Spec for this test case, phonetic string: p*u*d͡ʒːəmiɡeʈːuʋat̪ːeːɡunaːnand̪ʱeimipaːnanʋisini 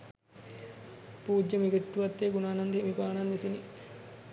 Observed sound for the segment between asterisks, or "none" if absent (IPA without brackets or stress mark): uː